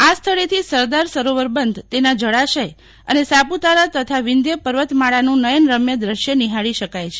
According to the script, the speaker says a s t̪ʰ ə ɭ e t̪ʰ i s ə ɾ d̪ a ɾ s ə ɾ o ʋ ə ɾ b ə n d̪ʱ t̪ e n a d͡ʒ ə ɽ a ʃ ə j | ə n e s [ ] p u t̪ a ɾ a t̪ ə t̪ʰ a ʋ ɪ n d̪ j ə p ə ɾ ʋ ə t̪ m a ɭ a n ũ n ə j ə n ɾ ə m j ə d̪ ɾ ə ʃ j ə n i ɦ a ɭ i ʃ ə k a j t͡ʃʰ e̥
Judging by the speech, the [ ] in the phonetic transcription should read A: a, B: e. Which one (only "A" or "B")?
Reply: A